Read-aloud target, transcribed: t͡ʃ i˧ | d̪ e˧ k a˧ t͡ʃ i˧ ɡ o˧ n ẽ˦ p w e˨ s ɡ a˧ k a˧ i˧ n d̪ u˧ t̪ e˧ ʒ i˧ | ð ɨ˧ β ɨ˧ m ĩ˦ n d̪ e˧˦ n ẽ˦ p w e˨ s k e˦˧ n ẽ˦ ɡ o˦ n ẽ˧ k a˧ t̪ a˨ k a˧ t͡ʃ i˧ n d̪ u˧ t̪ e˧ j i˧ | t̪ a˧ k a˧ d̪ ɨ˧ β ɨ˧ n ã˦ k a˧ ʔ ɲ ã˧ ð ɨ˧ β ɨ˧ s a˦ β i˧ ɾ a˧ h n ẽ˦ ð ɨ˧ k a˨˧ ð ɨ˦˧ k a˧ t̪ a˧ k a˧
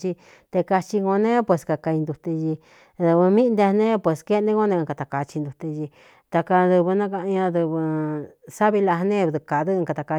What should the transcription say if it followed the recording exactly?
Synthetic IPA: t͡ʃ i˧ | t̪ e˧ k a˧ t͡ʃ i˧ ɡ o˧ n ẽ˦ p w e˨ s k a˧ k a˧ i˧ n d̪ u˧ t̪ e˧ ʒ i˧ | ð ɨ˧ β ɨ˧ m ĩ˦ n d̪ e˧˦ n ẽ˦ p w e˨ s k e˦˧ n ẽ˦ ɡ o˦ n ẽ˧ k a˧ t̪ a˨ k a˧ t͡ʃ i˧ n d̪ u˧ t̪ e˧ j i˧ | t̪ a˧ k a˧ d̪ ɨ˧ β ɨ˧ n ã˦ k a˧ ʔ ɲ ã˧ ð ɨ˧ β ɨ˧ s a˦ β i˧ l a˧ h n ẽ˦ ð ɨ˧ k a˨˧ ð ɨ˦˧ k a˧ t̪ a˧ k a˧